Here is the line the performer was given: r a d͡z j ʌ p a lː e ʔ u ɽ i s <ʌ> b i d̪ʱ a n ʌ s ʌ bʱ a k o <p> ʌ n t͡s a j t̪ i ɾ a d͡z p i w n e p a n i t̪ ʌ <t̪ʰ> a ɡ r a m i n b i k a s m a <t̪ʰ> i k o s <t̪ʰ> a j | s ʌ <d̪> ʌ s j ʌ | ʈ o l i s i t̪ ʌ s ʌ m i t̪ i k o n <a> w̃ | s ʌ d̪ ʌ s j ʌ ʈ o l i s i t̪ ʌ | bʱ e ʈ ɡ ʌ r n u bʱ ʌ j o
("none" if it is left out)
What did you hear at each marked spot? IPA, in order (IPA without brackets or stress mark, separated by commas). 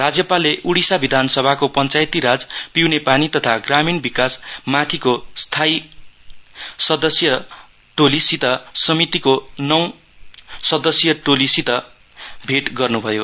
a, p, t̪ʰ, t̪ʰ, t̪ʰ, d̪, ʌ